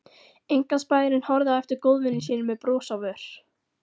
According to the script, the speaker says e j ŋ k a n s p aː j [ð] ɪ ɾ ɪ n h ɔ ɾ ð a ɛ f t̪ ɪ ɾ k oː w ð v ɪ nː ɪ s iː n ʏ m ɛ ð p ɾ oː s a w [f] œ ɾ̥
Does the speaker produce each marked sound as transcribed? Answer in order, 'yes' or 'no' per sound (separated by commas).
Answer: yes, no